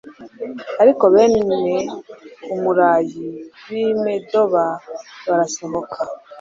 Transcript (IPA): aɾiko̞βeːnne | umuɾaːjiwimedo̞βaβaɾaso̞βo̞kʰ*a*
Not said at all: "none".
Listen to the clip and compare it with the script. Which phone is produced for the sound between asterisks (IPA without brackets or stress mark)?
a